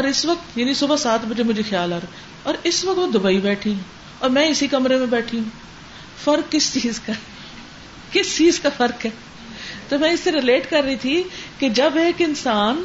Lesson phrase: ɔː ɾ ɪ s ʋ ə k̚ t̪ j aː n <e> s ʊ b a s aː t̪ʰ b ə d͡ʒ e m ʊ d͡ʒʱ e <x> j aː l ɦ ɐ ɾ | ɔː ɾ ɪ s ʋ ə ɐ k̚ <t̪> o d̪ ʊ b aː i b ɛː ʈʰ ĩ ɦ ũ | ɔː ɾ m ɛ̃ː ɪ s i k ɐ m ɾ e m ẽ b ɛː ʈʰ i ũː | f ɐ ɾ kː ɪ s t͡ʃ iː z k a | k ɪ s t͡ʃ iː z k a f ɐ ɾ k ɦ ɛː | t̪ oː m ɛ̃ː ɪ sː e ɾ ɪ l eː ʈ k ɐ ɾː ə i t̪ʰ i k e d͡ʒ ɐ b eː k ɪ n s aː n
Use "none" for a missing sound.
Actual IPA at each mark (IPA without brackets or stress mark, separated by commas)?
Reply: i, x, t̪